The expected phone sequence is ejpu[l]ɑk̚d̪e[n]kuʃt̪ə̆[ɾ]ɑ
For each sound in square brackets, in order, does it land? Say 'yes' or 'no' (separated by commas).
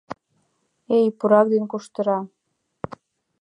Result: no, yes, yes